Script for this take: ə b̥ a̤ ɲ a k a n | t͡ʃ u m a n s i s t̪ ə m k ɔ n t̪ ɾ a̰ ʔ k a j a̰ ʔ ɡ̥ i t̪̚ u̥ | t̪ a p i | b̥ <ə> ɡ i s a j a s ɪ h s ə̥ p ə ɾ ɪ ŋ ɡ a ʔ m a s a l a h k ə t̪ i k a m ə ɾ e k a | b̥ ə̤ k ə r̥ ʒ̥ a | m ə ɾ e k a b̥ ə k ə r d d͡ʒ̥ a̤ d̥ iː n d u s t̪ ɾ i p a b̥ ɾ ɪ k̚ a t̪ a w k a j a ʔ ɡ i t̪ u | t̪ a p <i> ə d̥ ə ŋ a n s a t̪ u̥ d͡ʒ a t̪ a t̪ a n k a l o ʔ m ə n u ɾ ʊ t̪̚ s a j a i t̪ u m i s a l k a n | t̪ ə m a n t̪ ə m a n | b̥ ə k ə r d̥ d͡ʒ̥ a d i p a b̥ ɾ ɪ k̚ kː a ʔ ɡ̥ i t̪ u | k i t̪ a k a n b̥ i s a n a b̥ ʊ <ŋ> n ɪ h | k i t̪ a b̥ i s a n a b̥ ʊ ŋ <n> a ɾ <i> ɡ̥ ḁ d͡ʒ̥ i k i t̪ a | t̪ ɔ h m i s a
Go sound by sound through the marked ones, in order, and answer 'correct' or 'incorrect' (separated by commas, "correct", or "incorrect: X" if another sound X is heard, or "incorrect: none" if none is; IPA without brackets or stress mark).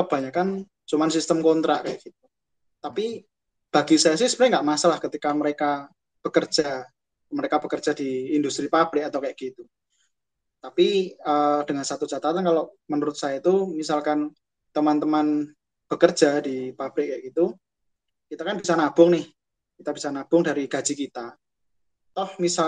incorrect: a, correct, correct, incorrect: d, correct